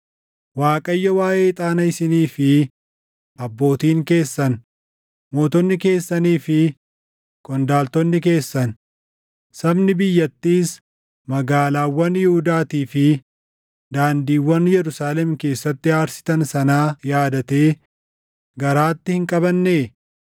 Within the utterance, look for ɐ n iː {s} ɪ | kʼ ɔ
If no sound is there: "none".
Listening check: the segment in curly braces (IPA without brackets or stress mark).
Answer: f